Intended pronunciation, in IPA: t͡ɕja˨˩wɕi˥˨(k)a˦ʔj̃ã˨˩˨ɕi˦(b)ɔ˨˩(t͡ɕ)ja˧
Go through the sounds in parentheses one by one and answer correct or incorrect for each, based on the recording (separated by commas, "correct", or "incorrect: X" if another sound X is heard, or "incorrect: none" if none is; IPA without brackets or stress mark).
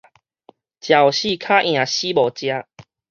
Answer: incorrect: kʰ, correct, correct